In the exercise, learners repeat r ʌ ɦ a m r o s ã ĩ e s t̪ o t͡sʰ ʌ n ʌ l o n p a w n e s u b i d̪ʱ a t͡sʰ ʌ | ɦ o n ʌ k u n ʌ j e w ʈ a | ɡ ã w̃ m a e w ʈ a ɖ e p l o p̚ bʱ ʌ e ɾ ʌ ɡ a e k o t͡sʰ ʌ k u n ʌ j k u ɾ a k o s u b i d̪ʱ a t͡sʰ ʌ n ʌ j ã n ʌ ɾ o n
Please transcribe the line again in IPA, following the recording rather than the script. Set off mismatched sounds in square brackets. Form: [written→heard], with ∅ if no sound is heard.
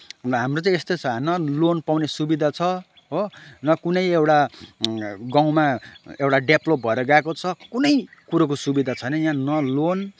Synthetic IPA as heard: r ʌ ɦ a m r o [s→t͡s] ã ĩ e s t̪ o t͡sʰ ʌ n ʌ l o n p a w n e s u b i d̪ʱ a t͡sʰ ʌ | ɦ o n ʌ k u n ʌ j e w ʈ a | ɡ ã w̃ m a e w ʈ a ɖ e p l o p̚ bʱ ʌ e ɾ ʌ ɡ a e k o t͡sʰ ʌ k u n ʌ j k u ɾ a k o s u b i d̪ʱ a t͡sʰ ʌ n ʌ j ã n ʌ [ɾ→l] o n